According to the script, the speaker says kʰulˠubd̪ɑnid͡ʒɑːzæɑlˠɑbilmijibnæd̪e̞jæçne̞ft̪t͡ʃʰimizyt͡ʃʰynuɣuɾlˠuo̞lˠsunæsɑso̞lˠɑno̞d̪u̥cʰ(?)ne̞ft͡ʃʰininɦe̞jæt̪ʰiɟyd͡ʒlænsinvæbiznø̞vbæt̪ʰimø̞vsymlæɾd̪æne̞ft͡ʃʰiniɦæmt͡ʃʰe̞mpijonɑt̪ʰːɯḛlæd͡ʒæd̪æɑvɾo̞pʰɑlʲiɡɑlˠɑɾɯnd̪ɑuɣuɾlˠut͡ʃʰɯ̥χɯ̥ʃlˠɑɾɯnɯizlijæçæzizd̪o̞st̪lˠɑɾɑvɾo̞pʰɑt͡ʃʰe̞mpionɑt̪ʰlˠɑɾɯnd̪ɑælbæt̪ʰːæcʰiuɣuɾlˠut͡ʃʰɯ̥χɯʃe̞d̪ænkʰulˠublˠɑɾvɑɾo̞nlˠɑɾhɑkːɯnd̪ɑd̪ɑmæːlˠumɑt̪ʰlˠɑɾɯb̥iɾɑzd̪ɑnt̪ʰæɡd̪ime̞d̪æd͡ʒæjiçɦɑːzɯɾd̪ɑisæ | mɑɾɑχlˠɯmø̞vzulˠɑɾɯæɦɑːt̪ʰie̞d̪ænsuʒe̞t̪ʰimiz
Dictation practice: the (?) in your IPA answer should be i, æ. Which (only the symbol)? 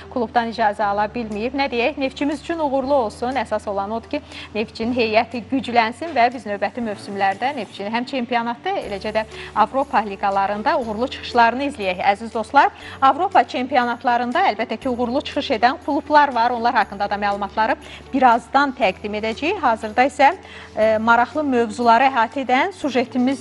i